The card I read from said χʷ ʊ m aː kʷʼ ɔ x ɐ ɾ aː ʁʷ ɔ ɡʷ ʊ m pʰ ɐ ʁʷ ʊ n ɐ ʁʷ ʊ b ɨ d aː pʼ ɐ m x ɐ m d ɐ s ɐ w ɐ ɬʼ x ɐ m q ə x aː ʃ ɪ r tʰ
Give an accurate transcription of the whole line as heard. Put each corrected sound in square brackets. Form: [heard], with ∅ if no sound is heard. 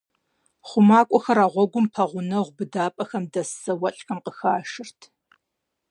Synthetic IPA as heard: χʷ ʊ m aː kʷʼ ɔ x ɐ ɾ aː ʁʷ ɔ ɡʷ ʊ m pʰ ɐ ʁʷ ʊ n ɐ ʁʷ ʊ b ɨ d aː pʼ ɐ [∅] x ɐ m d ɐ s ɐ w ɐ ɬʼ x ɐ m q ə x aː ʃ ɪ r tʰ

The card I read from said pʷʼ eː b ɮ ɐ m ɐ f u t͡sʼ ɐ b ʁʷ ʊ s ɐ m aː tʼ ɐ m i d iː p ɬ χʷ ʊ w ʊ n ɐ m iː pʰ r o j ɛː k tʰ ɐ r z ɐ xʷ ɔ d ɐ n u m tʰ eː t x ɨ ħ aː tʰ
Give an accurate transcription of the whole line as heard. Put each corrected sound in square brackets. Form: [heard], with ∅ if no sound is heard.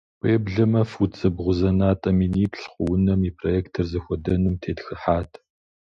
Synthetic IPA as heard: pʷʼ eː b ɮ ɐ m ɐ f u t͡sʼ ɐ b ʁʷ ʊ [z] ɐ [n] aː tʼ ɐ m i [n] iː p ɬ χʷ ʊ w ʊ n ɐ m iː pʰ r o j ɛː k tʰ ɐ r z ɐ xʷ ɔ d ɐ n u m tʰ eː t x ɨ ħ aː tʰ

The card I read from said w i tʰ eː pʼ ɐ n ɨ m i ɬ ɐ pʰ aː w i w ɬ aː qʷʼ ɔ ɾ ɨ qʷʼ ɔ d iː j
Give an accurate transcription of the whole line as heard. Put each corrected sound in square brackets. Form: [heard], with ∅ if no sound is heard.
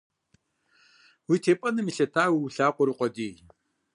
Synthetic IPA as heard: w i tʰ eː pʼ ɐ n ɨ m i ɬ ɐ [tʰ] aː w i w ɬ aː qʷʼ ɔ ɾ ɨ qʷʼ ɔ d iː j

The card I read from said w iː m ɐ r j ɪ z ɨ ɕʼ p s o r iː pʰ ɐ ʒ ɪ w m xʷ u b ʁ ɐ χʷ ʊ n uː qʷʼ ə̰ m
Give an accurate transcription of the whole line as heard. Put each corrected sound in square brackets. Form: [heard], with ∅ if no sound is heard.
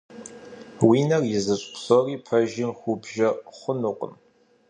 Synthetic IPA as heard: w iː [n] ɐ r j ɪ z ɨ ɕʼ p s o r iː pʰ ɐ ʒ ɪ [∅] m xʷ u b [ʒ] ɐ χʷ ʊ n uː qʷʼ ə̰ m

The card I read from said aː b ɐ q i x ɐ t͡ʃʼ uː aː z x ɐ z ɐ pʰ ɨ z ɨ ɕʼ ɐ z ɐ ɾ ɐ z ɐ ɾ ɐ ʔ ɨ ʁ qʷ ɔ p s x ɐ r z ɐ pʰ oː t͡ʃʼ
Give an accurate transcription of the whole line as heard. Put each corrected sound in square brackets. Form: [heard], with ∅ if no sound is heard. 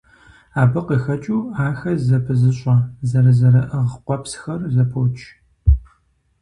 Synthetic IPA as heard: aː b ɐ q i x ɐ t͡ʃʼ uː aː [∅] x ɐ z ɐ pʰ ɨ z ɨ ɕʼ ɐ z ɐ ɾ ɐ z ɐ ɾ ɐ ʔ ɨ ʁ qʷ ɔ p s x ɐ r z ɐ pʰ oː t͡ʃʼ

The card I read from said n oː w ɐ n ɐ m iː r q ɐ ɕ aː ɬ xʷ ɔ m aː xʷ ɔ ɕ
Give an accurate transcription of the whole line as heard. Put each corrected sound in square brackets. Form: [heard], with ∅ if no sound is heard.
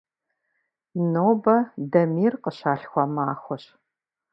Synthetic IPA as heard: n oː [b] ɐ [d] ɐ m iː r q [ə] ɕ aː ɬ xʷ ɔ m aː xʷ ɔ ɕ

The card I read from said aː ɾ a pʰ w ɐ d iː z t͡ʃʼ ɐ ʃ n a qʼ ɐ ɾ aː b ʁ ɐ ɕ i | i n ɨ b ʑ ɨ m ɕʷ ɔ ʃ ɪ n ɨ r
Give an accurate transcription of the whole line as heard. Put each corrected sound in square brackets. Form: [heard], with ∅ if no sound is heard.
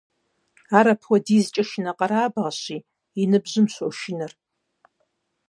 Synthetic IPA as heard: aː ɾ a pʰ w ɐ d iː z t͡ʃʼ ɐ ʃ n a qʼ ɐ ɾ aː b ʁ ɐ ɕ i | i n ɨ b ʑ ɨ m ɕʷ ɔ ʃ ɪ n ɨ r

